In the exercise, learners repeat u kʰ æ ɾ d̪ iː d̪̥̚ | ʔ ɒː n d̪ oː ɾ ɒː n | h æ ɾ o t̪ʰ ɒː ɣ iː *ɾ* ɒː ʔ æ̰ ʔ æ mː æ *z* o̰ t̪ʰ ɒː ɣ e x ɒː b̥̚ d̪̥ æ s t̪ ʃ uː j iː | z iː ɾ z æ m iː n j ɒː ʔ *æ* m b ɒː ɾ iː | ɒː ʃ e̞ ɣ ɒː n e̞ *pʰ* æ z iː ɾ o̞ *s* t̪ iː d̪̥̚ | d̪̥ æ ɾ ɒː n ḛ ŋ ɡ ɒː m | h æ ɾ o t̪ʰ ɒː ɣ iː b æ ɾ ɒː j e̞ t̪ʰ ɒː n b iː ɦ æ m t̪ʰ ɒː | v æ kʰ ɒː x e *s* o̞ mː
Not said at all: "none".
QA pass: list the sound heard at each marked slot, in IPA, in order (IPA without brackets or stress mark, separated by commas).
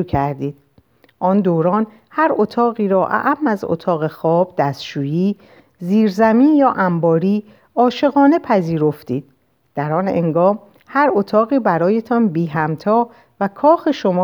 ɾ, z, æ, pʰ, f, ʃ